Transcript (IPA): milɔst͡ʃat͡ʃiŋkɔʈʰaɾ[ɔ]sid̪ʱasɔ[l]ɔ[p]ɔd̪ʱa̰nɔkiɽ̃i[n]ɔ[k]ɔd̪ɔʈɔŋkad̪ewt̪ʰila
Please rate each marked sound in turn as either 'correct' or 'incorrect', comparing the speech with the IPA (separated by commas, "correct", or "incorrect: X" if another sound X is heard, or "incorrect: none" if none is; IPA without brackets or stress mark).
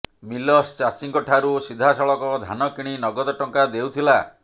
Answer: incorrect: u, incorrect: ɭ, incorrect: k, correct, incorrect: ɡ